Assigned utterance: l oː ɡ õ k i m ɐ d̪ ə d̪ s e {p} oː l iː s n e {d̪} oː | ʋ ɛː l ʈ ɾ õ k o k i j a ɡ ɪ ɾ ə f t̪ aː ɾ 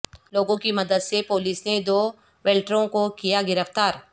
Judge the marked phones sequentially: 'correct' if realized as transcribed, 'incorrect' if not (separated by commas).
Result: correct, correct